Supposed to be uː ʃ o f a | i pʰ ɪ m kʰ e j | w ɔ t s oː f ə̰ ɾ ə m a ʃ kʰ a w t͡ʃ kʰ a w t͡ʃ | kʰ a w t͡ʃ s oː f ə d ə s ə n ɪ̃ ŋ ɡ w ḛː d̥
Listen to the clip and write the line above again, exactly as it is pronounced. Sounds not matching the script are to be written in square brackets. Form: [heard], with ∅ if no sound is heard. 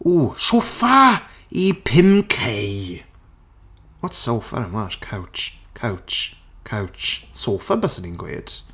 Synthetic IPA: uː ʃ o f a | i pʰ ɪ m kʰ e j | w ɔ t s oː f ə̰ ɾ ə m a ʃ kʰ a w t͡ʃ kʰ a w t͡ʃ | kʰ a w t͡ʃ s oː f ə [b] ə s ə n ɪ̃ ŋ ɡ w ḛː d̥